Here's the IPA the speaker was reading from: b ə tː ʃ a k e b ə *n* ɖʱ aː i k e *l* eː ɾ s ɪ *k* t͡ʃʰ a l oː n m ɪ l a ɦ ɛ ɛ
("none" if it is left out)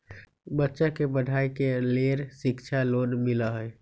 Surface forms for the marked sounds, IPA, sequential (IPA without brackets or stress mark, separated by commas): none, l, k